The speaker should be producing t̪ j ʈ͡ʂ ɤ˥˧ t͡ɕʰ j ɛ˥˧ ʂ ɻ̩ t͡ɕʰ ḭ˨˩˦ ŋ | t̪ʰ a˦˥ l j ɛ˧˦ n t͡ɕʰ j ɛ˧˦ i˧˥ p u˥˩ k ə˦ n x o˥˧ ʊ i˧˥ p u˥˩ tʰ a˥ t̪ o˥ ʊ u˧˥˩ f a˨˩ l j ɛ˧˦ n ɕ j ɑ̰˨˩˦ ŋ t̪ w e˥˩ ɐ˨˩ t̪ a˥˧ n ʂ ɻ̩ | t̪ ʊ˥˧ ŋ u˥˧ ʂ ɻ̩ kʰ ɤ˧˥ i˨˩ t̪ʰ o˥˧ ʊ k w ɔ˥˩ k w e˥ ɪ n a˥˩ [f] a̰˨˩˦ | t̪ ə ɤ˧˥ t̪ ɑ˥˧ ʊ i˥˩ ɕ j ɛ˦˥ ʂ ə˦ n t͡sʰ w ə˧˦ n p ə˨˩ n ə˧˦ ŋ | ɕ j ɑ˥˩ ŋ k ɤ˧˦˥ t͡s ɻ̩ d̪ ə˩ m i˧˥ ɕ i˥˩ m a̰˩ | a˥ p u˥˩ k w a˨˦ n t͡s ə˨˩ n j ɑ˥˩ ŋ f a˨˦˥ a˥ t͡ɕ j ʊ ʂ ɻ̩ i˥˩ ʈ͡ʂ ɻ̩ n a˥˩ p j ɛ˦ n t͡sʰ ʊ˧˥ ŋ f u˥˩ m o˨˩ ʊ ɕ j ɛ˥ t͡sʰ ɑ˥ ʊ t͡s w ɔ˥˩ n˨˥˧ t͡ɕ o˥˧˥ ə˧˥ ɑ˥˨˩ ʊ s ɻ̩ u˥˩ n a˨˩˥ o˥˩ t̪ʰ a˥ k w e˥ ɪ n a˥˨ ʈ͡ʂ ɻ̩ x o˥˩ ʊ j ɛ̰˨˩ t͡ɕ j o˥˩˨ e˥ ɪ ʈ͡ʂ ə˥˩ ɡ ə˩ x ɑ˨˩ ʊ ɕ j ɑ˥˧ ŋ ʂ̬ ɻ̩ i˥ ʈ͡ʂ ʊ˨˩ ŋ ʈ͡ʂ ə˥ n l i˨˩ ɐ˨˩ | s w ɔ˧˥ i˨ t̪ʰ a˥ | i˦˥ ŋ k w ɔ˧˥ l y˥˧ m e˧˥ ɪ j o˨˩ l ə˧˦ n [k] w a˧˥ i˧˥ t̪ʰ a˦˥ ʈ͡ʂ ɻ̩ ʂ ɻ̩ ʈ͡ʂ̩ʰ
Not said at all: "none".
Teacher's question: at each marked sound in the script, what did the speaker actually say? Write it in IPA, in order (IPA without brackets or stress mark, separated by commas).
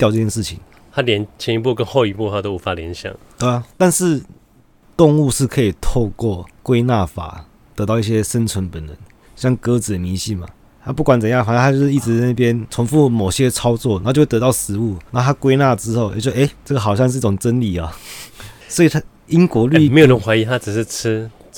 f, x